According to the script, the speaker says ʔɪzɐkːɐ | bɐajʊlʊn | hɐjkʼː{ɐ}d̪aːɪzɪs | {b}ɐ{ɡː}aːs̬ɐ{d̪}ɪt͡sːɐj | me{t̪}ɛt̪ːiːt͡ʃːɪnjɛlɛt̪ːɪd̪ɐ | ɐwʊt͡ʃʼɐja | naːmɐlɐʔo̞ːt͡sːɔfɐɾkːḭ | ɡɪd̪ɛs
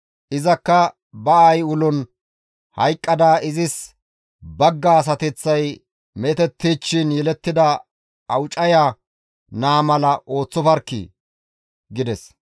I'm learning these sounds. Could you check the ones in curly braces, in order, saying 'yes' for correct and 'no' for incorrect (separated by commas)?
yes, yes, yes, no, yes